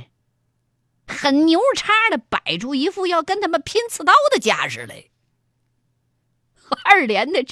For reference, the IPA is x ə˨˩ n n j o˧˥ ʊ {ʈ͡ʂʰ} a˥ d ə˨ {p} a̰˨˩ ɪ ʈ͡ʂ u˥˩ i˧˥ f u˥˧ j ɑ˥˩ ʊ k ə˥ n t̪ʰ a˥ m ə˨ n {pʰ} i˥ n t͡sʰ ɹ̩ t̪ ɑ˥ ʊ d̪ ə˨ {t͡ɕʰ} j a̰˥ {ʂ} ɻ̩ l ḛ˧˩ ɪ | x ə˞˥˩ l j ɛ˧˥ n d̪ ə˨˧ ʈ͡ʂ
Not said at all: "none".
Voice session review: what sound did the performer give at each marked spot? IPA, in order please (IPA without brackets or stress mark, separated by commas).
ʈ͡ʂʰ, p, pʰ, t͡ɕ, ʂ